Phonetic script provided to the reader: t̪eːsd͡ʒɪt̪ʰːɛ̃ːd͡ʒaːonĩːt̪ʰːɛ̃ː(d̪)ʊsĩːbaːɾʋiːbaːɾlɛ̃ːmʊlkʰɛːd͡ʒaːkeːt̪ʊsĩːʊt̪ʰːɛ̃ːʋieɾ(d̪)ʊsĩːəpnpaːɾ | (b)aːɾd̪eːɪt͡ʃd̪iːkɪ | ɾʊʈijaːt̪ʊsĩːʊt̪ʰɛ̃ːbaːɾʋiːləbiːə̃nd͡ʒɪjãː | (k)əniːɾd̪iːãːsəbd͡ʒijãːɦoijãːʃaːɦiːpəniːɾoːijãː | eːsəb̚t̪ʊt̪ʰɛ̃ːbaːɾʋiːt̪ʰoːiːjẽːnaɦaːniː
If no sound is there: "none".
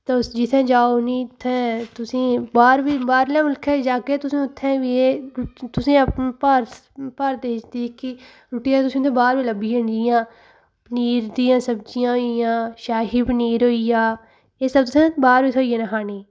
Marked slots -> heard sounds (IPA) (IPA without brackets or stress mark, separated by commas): t̪, t̪, p, p